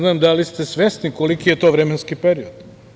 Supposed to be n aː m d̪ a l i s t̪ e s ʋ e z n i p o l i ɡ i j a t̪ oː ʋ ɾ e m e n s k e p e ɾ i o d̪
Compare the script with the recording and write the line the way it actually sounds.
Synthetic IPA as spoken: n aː m d̪ a l i s t̪ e s ʋ e s n i k o l i k i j e t̪ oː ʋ ɾ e m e n s k i p e ɾ i o d̪